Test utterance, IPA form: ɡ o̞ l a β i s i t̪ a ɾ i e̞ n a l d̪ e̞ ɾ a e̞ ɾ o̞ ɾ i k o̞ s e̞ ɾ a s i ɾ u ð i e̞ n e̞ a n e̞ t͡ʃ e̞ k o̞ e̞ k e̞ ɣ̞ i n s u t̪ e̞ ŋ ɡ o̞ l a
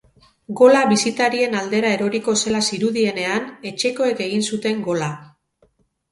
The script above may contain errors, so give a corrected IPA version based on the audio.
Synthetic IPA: ɡ o̞ l a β i s i t̪ a ɾ i e̞ n a l d̪ e̞ ɾ a e̞ ɾ o̞ ɾ i k o̞ s e̞ l a s i ɾ u ð i e̞ n e̞ a n e̞ t͡ʃ e̞ k o̞ e̞ k e̞ ɣ̞ i n s u t̪ e̞ ŋ ɡ o̞ l a